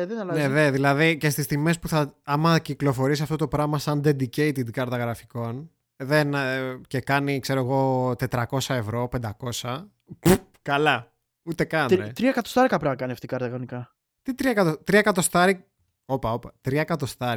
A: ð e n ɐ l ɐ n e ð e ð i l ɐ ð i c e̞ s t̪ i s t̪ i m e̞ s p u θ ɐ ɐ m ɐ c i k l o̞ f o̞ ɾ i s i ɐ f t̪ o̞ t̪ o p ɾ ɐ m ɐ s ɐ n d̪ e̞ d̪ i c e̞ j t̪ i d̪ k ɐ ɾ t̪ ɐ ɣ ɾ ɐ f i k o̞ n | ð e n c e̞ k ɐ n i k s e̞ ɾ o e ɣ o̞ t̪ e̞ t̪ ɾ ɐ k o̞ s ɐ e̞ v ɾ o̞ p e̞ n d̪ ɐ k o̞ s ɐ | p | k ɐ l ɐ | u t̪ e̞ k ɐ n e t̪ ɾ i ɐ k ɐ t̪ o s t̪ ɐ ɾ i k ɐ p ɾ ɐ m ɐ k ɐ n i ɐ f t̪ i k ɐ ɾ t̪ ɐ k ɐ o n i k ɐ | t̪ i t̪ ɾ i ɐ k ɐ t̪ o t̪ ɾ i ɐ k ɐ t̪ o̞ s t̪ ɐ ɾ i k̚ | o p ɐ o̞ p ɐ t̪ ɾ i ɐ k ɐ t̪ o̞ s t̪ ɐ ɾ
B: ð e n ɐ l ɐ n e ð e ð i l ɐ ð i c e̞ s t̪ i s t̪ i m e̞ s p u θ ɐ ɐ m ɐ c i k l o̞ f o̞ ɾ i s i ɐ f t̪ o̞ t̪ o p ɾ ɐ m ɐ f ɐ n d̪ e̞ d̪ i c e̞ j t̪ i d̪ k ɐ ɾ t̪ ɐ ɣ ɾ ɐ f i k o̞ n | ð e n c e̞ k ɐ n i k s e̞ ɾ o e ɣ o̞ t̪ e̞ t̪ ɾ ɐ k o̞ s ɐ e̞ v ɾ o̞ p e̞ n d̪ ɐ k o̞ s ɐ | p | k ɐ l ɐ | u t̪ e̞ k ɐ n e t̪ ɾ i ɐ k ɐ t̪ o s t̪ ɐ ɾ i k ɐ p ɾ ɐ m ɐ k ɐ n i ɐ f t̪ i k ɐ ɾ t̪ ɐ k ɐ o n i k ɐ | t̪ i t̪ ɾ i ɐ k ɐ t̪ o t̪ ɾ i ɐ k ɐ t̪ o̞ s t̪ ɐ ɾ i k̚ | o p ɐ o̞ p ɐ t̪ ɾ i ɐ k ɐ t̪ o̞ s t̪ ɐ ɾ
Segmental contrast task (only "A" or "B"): A